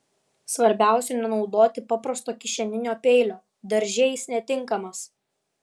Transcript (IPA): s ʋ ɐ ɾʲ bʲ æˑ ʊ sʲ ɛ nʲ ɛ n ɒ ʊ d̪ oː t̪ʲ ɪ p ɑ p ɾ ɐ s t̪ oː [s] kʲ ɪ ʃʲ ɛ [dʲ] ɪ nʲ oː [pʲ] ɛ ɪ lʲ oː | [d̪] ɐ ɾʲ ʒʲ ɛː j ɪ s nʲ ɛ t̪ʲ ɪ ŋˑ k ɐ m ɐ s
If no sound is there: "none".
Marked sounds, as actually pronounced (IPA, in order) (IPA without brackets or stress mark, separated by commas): none, nʲ, pʲ, d̪